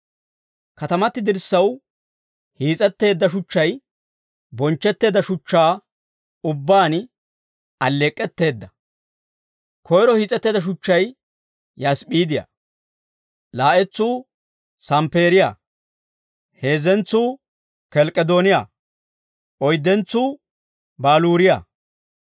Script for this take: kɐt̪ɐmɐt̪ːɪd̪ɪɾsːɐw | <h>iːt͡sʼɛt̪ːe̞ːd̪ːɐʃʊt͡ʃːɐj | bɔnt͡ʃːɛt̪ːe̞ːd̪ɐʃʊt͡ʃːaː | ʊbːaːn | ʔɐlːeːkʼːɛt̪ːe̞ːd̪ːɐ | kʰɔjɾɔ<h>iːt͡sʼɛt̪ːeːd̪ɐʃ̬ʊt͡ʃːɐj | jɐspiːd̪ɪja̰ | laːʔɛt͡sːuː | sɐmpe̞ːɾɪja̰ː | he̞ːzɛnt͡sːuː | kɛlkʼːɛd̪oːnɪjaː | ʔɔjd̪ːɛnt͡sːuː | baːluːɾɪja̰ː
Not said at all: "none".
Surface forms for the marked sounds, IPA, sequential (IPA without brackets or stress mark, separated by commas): h, h